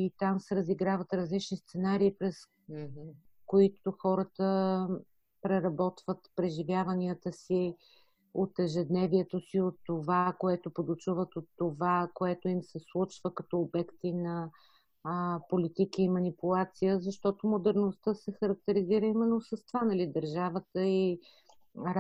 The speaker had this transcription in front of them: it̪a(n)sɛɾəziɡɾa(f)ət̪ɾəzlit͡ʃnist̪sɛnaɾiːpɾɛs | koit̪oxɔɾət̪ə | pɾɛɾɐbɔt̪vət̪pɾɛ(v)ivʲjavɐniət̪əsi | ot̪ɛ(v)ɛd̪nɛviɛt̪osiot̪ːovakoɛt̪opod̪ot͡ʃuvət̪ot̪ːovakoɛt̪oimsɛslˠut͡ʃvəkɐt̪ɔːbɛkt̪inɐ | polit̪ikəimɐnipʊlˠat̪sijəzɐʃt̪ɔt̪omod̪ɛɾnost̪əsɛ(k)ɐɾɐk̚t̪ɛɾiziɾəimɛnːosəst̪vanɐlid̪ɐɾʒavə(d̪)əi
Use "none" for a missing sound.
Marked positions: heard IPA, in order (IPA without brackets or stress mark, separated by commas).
m, v, ʒ, ʒ, x, t̪